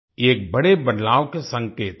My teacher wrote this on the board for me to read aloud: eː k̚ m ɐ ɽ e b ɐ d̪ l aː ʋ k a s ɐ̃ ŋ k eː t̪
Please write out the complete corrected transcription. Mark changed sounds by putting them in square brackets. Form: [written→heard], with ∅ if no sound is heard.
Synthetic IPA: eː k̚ [m→b] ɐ ɽ e b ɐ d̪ l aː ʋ k [a→e] s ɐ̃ ŋ k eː t̪